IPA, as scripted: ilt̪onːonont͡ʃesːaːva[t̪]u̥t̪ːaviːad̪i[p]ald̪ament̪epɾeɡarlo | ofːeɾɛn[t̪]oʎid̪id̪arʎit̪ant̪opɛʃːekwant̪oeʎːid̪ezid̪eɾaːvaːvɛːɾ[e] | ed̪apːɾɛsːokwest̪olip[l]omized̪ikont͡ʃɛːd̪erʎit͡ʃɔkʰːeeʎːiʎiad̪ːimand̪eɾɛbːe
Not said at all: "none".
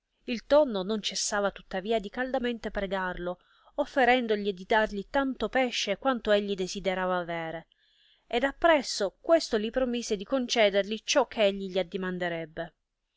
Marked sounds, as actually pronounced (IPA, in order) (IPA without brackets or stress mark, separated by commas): t̪, k, d̪, e, ɾ